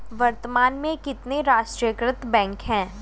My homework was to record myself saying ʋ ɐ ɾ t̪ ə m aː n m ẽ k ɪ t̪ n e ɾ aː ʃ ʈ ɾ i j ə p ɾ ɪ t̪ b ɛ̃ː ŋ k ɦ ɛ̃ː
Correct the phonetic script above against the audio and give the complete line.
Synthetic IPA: ʋ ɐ ɾ t̪ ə m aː n m ẽ k ɪ t̪ n e ɾ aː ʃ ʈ ɾ i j ə k ɾ ɪ t̪ b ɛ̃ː ŋ k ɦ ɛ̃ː